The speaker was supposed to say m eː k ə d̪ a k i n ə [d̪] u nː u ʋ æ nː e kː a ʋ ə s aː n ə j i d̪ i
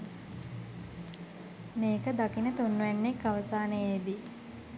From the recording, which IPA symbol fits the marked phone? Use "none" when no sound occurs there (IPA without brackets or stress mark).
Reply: t̪